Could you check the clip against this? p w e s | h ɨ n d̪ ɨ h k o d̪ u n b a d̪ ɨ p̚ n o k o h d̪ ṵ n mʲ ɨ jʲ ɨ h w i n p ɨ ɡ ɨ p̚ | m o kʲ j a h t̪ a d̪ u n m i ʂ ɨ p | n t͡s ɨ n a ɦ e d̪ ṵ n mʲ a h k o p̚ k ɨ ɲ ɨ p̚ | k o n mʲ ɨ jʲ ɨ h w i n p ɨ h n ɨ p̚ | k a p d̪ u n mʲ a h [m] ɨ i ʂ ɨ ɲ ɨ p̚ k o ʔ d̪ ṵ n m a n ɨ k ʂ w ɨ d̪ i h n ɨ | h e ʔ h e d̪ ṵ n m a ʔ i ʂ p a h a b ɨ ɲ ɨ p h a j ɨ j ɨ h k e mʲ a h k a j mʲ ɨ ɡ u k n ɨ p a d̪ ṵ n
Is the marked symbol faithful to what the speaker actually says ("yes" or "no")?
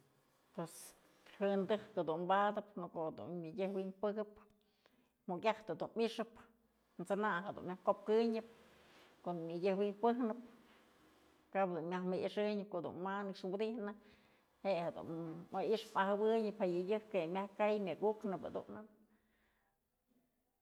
yes